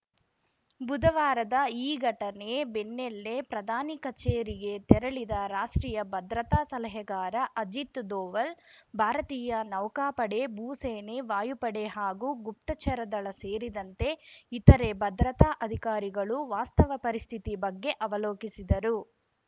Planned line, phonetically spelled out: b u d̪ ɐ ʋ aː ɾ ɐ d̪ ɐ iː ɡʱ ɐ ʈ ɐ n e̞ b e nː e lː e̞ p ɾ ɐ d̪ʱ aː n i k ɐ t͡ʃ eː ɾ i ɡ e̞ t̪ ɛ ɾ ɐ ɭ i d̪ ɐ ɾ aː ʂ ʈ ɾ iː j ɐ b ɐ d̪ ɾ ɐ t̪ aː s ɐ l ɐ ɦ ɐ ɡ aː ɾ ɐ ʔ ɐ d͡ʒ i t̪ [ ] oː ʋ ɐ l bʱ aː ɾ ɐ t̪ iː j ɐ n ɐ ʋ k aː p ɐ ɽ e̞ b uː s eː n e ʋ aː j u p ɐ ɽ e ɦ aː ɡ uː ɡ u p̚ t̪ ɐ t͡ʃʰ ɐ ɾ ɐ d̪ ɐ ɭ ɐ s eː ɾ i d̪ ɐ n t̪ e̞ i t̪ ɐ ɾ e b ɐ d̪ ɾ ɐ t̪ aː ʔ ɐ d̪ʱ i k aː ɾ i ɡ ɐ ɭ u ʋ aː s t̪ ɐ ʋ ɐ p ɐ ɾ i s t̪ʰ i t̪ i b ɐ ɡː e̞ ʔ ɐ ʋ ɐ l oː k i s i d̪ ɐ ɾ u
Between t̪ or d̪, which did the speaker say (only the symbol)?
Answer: d̪